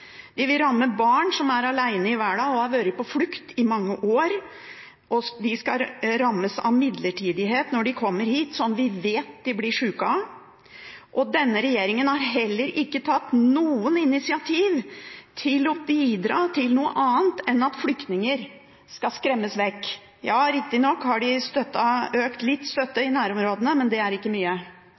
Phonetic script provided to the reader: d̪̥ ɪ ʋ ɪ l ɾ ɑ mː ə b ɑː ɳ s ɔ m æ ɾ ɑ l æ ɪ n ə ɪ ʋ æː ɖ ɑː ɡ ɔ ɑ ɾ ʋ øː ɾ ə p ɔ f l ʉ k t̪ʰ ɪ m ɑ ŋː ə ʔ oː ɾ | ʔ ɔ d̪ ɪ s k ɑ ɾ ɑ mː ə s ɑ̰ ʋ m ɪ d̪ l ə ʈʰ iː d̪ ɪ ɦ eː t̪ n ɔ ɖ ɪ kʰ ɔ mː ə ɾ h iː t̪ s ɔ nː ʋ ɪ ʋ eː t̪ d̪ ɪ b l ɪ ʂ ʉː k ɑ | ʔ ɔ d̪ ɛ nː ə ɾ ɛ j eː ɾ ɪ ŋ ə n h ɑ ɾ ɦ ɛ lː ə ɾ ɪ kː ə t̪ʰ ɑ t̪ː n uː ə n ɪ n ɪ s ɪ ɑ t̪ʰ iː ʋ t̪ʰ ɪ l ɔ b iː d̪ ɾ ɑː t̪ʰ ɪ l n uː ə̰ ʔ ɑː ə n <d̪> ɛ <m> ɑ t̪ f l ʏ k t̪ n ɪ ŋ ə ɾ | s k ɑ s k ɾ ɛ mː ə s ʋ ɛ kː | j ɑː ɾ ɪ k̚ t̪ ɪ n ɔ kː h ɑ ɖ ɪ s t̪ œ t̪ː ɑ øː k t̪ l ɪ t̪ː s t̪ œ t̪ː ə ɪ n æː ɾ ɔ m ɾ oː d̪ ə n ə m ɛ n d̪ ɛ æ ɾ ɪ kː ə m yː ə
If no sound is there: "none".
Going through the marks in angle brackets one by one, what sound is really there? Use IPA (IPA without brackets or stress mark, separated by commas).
t̪, n